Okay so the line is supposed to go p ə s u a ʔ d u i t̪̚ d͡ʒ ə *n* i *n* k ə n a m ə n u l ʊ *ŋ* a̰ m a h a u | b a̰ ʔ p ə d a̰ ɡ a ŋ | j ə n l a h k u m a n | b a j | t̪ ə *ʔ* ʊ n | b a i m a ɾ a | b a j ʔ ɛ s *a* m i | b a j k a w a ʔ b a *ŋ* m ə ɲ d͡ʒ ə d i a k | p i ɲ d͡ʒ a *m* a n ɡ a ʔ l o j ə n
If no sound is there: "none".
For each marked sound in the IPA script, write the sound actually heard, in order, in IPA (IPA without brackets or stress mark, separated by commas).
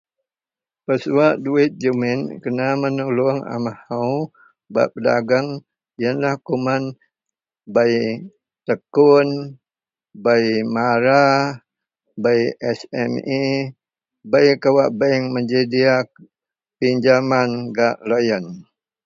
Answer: m, n, ŋ, k, ɛ, ŋ, m